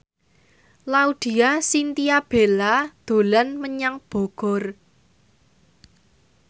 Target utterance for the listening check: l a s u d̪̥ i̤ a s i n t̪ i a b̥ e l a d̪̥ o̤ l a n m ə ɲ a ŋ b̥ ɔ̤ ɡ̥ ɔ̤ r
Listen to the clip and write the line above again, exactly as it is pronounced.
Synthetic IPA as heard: l a u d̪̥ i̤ a s i n t̪ i a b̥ e l a d̪̥ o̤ l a n m ə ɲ a ŋ b̥ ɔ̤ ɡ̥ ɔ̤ r